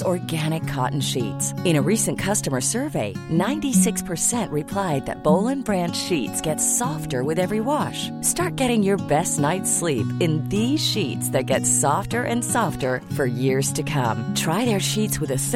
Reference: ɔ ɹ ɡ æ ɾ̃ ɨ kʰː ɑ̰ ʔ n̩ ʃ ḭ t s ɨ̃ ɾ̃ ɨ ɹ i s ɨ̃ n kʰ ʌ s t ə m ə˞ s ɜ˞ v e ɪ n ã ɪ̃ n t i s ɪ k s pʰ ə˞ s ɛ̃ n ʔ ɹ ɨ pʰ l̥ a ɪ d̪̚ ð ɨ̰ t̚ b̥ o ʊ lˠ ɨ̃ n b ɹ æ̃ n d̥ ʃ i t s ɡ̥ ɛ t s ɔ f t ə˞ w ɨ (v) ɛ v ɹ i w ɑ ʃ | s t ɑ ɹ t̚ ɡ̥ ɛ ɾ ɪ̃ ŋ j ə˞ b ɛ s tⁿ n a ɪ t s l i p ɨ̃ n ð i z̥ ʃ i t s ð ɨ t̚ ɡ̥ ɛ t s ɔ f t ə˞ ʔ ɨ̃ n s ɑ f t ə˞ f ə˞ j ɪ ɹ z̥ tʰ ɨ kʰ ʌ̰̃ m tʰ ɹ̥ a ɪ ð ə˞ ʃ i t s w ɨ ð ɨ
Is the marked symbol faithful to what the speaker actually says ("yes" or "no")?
no